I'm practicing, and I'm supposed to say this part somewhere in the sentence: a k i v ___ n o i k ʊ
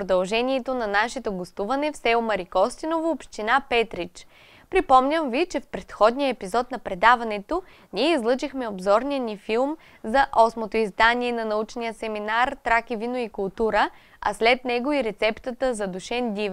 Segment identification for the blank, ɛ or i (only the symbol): i